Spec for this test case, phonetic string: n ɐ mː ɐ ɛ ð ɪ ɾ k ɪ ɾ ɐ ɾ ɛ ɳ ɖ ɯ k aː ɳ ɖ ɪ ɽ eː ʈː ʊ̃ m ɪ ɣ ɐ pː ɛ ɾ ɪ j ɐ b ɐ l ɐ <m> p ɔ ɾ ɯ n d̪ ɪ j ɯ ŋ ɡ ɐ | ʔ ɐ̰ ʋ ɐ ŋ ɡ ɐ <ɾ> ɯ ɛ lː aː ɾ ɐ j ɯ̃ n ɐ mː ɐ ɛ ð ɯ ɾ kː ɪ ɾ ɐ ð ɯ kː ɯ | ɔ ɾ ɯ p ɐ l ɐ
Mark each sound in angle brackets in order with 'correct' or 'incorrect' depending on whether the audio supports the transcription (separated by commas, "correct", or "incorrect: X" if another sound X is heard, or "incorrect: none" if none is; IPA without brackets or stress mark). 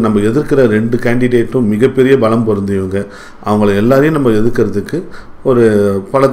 correct, incorrect: ɭ